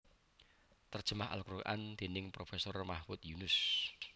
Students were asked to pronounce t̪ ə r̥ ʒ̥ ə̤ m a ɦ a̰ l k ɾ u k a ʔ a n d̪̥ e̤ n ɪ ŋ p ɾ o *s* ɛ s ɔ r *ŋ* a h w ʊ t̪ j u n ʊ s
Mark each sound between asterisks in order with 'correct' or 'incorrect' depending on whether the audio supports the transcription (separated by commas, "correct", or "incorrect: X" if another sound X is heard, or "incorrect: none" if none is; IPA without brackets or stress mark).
incorrect: f, incorrect: m